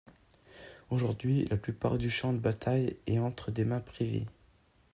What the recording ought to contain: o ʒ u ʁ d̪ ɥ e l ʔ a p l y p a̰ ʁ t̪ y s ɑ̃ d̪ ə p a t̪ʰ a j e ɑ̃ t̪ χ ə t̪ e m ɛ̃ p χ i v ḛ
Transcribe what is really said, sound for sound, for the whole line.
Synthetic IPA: o ʒ u ʁ d̪ ɥ i l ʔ a p l y p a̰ ʁ d̪ y ʃ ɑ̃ d̪ ə b a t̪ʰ a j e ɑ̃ t̪ χ ə d̪ e m ɛ̃ p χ i v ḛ